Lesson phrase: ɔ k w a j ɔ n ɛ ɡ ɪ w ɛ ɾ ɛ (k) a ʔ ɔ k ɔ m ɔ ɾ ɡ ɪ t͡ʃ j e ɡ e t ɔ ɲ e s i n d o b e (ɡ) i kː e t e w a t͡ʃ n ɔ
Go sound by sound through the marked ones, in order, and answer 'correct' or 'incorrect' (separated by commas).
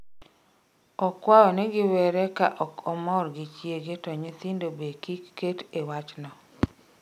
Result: correct, incorrect